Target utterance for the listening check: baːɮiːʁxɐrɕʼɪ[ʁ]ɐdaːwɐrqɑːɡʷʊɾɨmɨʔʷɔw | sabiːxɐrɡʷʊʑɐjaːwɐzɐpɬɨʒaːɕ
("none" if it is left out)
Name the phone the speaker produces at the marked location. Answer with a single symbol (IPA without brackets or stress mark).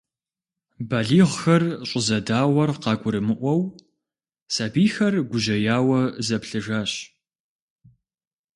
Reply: z